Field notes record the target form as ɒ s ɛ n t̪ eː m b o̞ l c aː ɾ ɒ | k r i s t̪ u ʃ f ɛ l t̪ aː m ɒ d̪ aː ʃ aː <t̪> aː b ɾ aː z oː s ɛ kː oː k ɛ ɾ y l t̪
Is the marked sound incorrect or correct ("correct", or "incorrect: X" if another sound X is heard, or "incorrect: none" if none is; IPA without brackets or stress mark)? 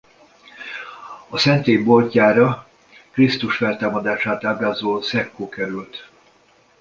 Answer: correct